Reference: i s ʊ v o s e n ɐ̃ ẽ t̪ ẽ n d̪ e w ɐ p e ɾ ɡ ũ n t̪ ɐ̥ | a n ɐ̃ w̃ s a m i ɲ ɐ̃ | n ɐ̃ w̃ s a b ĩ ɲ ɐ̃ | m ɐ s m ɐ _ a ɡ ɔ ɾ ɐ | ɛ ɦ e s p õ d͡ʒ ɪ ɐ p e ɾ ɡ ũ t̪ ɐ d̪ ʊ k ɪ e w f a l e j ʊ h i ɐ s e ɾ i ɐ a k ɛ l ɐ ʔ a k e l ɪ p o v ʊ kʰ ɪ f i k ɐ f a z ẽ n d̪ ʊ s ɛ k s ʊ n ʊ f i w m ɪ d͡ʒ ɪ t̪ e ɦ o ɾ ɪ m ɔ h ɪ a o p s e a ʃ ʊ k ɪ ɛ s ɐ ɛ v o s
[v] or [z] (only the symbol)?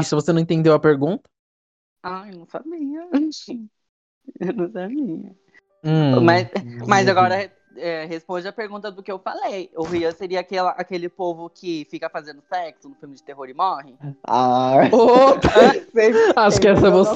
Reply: z